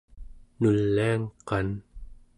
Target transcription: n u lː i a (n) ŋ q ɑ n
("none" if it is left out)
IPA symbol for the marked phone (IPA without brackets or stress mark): none